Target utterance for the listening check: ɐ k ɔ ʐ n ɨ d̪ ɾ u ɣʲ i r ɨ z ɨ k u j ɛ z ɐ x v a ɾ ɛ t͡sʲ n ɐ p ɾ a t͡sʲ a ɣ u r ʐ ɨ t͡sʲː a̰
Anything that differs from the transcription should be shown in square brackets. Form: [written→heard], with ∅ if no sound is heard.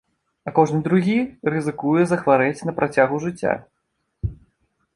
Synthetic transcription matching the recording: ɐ k ɔ ʐ n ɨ d̪ ɾ u ɣʲ i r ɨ z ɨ k u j ɛ z ɐ x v a ɾ ɛ t͡sʲ n ɐ p ɾ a t͡sʲ a ɣ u [r→∅] ʐ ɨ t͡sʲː a̰